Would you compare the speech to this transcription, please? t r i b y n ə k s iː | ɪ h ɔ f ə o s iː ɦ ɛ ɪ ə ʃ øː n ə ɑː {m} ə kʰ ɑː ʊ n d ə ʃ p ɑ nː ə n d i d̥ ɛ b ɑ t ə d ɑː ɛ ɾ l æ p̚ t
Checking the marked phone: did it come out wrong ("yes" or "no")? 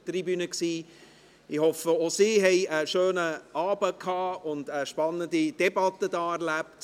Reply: yes